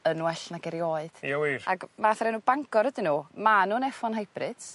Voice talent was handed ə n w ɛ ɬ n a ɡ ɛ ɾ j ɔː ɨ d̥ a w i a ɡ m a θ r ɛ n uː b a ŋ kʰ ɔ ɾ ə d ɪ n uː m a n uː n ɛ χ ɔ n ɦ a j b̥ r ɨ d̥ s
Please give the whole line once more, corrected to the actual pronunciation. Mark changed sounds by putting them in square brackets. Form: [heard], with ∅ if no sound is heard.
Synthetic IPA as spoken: ə n w ɛ ɬ n a ɡ ɛ ɾ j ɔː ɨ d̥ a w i a ɡ m a θ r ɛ n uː b a ŋ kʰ ɔ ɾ ə d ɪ n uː m a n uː n ɛ [f] ɔ n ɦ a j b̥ r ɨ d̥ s